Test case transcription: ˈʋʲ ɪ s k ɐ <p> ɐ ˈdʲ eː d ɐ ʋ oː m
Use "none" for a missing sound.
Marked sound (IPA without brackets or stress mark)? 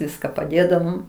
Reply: p